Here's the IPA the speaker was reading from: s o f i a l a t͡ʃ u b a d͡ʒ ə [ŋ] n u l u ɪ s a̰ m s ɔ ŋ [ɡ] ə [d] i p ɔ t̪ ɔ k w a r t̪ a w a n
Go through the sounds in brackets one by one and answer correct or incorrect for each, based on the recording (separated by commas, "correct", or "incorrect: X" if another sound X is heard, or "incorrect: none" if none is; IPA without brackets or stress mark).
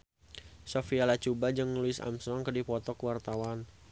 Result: correct, incorrect: k, correct